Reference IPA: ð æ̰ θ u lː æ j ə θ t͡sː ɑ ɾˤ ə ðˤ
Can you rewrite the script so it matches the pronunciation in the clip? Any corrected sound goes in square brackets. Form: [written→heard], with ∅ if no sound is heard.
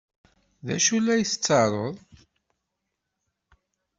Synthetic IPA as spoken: ð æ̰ [θ→ʃ] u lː æ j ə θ t͡sː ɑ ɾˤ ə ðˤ